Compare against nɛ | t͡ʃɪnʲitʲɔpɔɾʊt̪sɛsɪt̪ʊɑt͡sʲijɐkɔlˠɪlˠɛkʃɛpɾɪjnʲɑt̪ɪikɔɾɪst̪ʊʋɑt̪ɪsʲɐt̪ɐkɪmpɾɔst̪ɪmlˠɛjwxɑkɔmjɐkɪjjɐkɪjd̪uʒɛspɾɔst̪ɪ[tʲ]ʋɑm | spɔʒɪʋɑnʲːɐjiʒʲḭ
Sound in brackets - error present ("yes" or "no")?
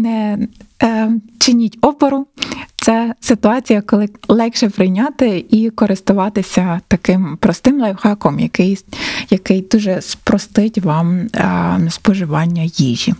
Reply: no